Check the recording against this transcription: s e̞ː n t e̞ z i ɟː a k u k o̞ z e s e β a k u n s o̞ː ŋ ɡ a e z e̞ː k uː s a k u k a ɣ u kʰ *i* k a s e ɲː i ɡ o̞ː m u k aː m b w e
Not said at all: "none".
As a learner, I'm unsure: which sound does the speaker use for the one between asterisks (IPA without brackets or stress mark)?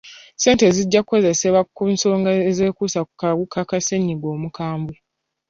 a